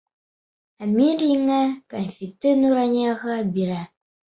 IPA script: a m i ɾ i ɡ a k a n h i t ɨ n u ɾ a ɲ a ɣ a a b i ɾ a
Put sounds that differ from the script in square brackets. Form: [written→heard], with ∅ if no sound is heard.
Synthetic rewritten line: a m i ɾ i [ɡ→ŋ] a k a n [h→f] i t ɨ n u ɾ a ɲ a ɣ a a b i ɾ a

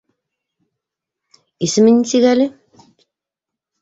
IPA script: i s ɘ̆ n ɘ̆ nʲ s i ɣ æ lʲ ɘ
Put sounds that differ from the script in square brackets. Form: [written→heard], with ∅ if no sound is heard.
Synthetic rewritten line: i s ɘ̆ [n→m] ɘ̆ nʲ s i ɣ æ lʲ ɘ

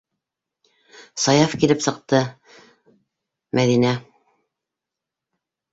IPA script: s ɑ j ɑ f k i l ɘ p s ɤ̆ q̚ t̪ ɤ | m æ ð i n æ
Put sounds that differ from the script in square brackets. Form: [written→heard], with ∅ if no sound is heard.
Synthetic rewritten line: s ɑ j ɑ f k i l ɘ p s ɤ̆ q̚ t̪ ɤ | m æ ð i n æ

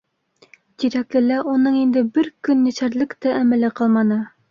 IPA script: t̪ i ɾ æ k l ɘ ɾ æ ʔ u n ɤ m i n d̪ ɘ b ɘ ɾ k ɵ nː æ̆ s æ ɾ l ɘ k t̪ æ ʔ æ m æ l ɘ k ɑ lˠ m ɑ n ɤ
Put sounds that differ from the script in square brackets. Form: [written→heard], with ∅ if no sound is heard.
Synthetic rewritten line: t̪ i ɾ æ k l ɘ [ɾ→l] æ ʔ u n ɤ [m→ɴ] i n d̪ ɘ b ɘ ɾ k ɵ nː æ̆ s æ ɾ l ɘ k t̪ æ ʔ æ m æ l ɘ [k→q] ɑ lˠ m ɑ n ɤ

